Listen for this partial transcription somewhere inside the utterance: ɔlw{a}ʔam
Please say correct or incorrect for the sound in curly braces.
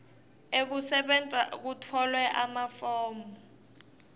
incorrect